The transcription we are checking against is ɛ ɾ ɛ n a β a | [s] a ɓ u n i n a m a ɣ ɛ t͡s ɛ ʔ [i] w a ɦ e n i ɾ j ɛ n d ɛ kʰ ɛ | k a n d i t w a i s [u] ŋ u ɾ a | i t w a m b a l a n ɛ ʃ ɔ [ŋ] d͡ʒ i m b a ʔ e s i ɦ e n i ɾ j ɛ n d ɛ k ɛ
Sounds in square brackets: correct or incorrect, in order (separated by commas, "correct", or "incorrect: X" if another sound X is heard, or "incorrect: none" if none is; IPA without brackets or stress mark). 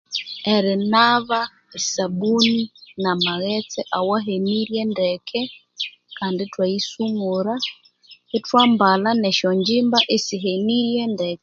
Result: correct, incorrect: a, correct, incorrect: ɲ